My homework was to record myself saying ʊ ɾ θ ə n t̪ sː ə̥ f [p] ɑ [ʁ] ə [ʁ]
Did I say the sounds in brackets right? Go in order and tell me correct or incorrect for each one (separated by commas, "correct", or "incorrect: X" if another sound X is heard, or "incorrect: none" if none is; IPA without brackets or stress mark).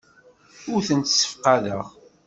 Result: incorrect: q, incorrect: ð, correct